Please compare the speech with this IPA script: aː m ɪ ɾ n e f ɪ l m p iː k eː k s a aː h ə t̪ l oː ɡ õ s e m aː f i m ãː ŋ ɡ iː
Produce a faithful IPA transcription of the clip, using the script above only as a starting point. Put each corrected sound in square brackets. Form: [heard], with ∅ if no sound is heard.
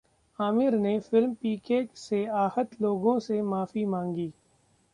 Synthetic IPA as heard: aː m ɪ ɾ n e f ɪ l m p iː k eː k s [e] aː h ə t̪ l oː ɡ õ s e m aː f i m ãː ŋ ɡ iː